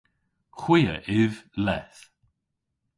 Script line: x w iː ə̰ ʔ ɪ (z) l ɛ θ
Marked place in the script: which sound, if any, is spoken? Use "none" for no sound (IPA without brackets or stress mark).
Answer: v